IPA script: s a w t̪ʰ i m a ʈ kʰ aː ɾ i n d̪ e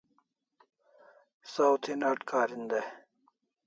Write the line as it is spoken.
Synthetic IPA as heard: s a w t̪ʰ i n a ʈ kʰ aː ɾ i n d̪ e

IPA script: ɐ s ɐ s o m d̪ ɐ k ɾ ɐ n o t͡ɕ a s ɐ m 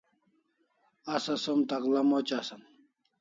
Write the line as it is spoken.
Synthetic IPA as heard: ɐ s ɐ s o m t̪ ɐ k l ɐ m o t͡ɕ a s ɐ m

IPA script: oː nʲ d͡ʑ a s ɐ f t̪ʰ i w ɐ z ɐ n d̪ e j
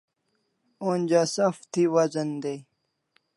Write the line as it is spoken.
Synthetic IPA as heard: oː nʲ d͡ʑ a s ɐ f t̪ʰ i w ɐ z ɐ n d̪ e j

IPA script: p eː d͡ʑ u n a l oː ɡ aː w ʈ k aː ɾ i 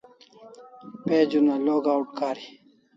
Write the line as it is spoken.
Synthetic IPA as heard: p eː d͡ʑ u n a l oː ɡ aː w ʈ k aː ɾ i

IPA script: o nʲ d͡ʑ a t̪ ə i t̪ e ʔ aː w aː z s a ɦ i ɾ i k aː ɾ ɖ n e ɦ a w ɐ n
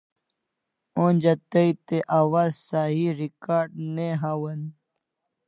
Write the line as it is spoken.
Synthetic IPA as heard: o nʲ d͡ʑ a t̪ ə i t̪ e ʔ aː w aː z s a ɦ i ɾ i k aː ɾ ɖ n e ɦ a w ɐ n

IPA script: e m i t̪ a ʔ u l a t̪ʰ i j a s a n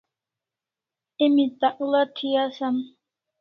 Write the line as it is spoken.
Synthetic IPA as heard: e m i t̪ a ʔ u l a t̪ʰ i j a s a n

